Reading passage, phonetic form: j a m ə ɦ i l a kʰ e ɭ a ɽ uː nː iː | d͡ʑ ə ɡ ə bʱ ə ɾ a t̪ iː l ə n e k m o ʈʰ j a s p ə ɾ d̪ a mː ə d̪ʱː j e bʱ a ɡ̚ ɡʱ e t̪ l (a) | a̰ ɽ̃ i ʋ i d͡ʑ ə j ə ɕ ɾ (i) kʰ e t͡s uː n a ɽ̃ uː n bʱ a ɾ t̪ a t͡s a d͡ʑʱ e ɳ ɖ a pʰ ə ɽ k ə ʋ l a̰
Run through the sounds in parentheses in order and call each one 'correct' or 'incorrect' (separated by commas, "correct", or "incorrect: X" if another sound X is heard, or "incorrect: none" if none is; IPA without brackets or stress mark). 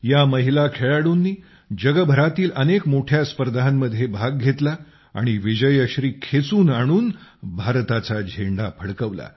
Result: correct, incorrect: iː